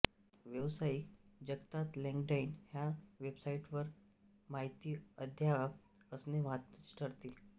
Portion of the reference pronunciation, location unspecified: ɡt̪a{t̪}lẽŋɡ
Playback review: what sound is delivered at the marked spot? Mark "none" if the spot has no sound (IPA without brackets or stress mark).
t̪